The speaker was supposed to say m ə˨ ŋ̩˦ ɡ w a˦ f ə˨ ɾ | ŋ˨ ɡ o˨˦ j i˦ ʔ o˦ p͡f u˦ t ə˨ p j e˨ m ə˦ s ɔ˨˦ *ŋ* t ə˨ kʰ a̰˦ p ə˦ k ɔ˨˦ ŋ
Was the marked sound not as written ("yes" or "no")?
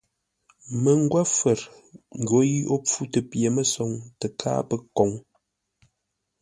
no